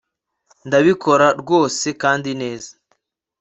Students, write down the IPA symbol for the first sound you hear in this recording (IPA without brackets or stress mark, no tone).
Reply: n